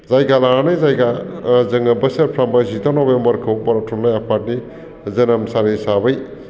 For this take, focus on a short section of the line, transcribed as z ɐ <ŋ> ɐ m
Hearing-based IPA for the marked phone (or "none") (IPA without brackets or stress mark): n